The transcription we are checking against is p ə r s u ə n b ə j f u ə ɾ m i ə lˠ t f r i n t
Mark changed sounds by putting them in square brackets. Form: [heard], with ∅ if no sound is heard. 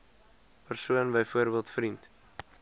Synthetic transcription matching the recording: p ə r s u ə n b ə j f u ə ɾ [b] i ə lˠ t f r i n t